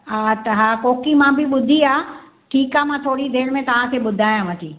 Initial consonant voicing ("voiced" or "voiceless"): voiceless